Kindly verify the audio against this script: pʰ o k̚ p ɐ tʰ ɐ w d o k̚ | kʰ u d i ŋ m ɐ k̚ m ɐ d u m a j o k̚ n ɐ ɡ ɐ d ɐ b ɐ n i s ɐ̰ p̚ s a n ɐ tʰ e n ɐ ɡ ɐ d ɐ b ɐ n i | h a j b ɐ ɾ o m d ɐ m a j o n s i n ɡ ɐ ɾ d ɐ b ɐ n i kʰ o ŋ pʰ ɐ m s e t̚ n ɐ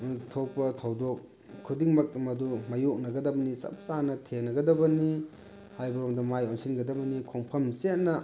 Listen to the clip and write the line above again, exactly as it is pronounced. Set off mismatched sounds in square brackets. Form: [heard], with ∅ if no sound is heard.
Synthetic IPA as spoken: [tʰ] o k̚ p ɐ tʰ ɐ w d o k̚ | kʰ u d i ŋ m ɐ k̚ m ɐ d u m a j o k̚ n ɐ ɡ ɐ d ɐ b ɐ n i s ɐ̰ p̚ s a n ɐ tʰ e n ɐ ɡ ɐ d ɐ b ɐ n i | h a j b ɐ ɾ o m d ɐ m a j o n s i n ɡ ɐ [∅] d ɐ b ɐ n i kʰ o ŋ pʰ ɐ m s e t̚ n ɐ